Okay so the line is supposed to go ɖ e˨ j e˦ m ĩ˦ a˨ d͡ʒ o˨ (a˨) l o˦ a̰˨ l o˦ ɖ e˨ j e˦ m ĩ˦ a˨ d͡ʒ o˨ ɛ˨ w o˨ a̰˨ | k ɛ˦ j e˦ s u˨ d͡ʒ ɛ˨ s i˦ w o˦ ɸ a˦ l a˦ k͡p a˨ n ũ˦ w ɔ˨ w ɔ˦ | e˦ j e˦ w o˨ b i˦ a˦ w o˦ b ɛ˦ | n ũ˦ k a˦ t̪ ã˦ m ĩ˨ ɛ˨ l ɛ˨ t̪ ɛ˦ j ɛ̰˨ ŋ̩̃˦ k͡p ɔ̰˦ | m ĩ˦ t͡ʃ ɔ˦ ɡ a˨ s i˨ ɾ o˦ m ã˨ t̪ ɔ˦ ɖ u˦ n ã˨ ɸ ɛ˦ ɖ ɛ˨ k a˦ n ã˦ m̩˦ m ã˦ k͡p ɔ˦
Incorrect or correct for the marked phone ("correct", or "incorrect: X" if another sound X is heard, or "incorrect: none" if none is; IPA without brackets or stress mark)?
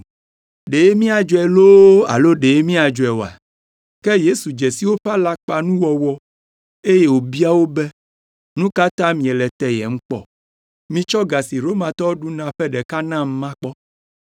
incorrect: ɛ˨